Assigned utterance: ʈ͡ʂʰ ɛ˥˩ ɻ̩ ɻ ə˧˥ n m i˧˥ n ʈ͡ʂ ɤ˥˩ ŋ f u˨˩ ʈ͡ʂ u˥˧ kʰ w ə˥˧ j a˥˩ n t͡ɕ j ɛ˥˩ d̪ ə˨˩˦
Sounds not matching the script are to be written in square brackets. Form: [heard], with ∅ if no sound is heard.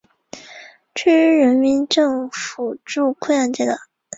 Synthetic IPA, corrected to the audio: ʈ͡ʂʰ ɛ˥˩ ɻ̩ ɻ ə˧˥ n m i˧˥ n ʈ͡ʂ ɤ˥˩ ŋ f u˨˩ ʈ͡ʂ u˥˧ kʰ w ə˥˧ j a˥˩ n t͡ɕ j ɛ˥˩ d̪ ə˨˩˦